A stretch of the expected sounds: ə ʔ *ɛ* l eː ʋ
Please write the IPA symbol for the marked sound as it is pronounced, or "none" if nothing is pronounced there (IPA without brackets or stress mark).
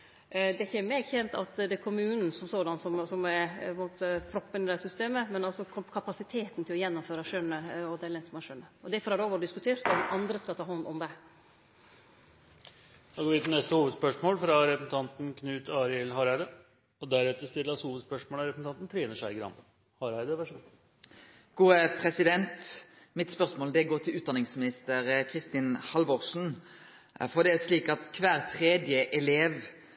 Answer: ɛ